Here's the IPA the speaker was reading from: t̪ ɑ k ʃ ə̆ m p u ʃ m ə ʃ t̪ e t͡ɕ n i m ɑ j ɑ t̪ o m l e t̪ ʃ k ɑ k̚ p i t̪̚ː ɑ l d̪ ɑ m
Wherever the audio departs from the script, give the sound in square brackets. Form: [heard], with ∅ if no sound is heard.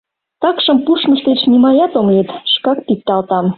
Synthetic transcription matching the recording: t̪ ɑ k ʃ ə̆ m p u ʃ m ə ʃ t̪ e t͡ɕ n i m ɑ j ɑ t̪ o m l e t̪ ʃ k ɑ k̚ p i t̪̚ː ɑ l [t̪] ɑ m